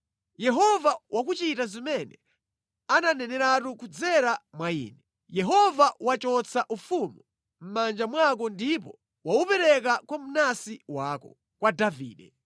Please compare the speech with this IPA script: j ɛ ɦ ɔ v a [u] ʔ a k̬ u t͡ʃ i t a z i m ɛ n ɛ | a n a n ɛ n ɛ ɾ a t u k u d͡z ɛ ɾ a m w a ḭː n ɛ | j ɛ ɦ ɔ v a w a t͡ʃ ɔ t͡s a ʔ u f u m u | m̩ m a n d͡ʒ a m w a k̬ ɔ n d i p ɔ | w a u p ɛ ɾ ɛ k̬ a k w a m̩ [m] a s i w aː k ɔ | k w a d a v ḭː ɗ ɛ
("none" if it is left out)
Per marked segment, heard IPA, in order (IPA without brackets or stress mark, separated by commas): w, n